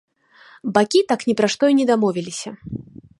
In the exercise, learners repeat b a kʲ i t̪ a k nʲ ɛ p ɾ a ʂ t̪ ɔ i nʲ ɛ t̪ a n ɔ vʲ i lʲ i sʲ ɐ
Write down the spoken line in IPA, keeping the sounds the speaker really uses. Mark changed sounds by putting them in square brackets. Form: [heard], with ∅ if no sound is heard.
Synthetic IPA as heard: b a kʲ i t̪ a k nʲ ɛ p ɾ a ʂ t̪ ɔ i nʲ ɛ [d̪] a [m] ɔ vʲ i lʲ i sʲ ɐ